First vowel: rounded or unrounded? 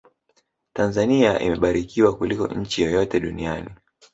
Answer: unrounded